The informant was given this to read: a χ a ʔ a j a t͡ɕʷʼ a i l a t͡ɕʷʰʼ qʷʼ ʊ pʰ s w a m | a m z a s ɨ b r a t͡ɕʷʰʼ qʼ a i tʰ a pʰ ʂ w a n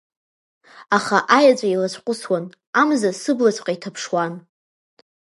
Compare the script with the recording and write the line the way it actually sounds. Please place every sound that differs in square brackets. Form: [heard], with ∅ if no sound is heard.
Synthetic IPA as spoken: a χ a ʔ a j a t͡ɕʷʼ a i l a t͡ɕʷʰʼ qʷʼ ʊ [∅] s w a [n] | a m z a s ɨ b [l] a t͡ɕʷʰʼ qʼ a i tʰ a pʰ ʂ w a n